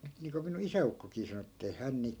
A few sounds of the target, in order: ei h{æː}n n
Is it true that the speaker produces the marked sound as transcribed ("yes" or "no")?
no